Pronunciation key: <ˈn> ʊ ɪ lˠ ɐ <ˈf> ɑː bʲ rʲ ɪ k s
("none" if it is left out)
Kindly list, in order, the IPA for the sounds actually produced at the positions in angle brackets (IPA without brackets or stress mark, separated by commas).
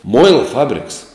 m, f